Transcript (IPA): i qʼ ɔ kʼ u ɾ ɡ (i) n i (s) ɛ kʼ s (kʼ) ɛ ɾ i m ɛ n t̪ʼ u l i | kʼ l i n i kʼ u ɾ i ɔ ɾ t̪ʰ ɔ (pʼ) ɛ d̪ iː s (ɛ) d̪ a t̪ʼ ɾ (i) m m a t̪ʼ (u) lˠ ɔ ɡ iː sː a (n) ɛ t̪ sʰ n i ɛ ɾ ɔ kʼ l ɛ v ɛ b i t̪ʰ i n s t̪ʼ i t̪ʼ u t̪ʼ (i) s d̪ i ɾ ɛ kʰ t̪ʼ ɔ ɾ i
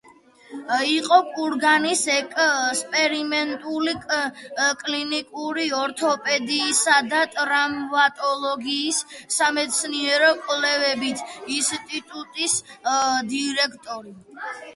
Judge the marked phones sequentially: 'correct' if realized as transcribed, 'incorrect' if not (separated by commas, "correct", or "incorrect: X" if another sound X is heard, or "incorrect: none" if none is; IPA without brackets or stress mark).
incorrect: a, correct, incorrect: pʼ, correct, incorrect: a, incorrect: a, incorrect: ɔ, incorrect: m, correct